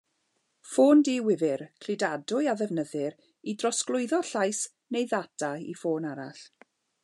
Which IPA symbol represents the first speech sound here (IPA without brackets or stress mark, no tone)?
f